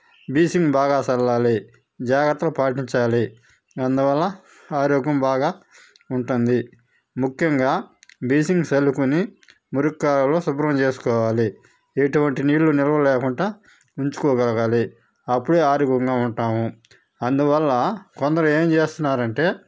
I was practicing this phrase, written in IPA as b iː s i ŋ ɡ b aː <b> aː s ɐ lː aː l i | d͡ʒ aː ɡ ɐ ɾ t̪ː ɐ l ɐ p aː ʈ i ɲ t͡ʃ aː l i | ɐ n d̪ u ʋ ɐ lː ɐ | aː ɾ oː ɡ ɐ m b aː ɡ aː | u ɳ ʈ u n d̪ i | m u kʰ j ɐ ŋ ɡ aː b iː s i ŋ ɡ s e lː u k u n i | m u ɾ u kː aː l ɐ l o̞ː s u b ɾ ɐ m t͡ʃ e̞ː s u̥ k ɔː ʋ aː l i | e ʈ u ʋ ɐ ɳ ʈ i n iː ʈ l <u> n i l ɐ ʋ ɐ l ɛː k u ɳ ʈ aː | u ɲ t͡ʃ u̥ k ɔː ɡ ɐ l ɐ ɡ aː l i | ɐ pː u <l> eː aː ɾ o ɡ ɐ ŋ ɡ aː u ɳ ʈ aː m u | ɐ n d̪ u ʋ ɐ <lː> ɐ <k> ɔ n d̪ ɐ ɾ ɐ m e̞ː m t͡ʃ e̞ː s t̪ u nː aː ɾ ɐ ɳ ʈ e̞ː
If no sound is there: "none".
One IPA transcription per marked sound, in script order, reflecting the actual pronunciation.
ɡ, u, ɽ, lː, k

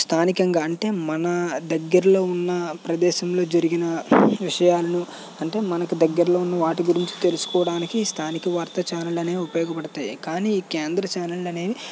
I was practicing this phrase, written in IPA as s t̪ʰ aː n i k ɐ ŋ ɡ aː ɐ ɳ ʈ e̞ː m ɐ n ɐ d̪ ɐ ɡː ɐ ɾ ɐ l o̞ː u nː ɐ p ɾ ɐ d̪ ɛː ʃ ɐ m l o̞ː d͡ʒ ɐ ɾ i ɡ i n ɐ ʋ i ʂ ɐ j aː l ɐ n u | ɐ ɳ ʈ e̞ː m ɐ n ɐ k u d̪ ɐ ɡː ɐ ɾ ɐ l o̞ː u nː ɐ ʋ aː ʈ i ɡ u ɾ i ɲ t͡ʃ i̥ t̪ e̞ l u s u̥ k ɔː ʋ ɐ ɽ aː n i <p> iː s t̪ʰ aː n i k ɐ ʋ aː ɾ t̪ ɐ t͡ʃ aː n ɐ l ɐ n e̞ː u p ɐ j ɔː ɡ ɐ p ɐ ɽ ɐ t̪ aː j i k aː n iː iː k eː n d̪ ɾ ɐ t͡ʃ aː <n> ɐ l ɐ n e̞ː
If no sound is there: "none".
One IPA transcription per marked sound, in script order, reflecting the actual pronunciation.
k, n

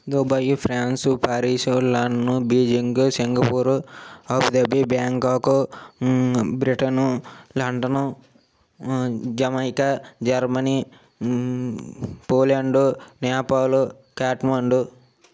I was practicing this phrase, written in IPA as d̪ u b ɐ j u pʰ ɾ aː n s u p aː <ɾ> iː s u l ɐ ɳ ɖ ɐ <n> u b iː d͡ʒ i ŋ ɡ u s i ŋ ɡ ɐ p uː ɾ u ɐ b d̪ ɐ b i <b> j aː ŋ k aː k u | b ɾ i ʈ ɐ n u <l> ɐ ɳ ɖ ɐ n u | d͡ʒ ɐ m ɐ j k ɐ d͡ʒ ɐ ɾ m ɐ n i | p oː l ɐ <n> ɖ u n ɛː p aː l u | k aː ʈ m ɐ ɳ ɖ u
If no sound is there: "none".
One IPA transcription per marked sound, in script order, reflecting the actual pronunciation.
ɾ, n, b, l, ɳ

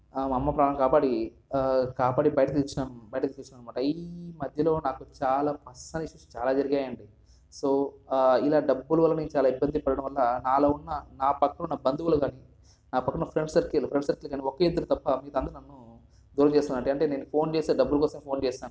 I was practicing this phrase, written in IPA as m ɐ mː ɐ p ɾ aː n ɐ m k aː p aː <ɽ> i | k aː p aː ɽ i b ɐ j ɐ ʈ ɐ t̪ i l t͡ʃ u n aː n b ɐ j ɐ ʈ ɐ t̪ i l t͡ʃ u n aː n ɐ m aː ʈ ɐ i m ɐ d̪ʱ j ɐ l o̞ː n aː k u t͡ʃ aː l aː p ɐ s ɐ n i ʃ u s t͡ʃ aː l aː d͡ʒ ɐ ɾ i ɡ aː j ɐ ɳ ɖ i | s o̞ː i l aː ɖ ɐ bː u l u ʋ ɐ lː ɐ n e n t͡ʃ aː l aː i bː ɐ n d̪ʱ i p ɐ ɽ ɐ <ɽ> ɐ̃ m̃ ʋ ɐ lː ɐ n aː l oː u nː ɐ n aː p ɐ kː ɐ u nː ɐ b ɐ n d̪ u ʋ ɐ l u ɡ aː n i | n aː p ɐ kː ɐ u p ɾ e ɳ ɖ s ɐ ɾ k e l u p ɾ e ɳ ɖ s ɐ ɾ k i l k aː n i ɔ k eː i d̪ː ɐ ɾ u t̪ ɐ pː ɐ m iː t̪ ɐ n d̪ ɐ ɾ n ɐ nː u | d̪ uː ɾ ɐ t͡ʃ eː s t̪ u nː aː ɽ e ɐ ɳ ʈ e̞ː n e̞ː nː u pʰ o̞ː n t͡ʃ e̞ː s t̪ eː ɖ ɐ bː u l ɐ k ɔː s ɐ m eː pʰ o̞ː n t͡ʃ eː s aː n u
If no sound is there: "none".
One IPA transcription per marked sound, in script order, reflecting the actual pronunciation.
ɽ, ɽ

